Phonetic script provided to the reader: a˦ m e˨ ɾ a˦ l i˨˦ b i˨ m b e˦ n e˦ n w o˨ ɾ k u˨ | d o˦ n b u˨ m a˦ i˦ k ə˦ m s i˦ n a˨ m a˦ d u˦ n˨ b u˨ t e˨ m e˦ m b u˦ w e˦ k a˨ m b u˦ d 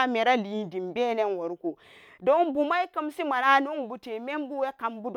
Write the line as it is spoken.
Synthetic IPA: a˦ m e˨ ɾ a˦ l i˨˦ d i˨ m b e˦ n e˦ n w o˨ ɾ k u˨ | d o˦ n b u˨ m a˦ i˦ k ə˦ m s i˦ m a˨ n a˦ n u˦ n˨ b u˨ t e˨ m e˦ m b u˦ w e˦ k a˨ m b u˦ d